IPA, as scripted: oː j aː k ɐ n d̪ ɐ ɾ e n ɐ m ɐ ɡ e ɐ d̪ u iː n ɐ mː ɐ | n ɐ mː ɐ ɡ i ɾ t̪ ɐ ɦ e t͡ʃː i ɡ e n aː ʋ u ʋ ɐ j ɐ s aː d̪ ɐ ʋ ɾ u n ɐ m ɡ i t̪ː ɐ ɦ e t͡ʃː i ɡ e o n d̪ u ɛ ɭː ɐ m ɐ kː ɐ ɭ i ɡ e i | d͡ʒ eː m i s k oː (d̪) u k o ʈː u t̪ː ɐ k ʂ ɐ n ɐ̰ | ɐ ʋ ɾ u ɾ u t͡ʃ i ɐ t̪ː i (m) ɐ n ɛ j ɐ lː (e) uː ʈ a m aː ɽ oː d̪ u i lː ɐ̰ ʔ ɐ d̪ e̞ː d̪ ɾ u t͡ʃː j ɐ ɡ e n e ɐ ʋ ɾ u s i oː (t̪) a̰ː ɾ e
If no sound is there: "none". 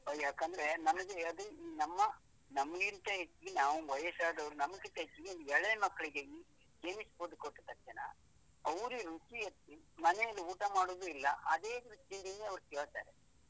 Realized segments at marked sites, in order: d̪, m, i, t̪

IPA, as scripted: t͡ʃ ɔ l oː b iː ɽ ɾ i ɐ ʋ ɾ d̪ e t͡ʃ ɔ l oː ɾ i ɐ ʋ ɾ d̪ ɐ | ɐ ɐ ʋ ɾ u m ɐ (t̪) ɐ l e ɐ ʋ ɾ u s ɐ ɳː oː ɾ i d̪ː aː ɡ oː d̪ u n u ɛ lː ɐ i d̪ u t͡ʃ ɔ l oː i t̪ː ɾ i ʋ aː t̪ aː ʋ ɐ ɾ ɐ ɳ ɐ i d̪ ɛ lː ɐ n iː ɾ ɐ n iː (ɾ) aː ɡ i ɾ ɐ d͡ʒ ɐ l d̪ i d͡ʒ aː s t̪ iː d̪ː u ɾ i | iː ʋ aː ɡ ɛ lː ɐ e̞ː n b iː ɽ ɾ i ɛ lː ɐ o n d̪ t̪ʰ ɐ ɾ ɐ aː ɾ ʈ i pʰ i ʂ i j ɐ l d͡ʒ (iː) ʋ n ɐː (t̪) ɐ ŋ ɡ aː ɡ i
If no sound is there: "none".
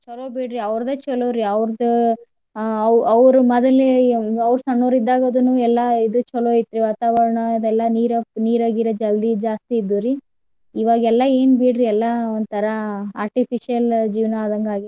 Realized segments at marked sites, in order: d̪, ɾ, iː, d̪

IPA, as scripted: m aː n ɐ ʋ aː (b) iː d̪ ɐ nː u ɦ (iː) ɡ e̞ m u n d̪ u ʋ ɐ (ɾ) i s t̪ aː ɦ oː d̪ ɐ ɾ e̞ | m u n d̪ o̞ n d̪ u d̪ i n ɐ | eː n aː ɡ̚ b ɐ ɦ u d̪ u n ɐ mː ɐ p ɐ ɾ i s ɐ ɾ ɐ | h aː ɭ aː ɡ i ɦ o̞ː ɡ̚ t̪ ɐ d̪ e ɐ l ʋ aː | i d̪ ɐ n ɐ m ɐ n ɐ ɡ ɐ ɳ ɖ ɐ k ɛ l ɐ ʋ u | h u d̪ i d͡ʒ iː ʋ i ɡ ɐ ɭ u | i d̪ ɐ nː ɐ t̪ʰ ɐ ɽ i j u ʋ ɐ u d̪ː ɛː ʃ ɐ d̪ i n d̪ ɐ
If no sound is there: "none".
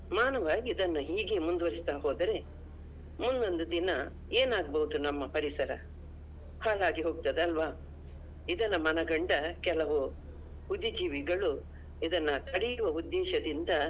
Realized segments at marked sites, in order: ɡ, iː, ɾ

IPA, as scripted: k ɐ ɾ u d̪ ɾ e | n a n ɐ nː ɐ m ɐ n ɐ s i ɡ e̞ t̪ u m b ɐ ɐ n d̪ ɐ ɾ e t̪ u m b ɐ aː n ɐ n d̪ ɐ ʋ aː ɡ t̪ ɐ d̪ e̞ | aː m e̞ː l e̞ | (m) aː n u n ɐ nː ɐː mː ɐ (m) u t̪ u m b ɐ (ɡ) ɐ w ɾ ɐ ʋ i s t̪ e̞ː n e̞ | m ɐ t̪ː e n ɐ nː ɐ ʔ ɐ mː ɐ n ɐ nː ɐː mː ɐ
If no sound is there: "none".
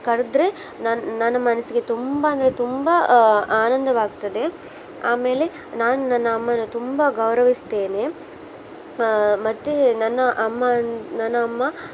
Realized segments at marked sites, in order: n, n, ɡ

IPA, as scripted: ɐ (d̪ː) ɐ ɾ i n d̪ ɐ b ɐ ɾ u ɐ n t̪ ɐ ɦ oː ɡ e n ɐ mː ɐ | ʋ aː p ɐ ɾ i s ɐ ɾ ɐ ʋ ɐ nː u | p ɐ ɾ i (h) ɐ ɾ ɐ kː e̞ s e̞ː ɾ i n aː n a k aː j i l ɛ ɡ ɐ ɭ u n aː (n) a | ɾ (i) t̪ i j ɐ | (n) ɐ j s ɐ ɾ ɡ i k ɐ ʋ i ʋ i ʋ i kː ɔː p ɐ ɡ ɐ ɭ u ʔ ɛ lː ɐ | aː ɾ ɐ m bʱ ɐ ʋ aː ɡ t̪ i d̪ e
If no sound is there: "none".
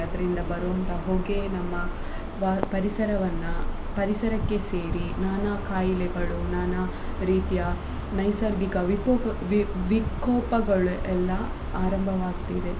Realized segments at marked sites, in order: d̪, s, n, iː, n

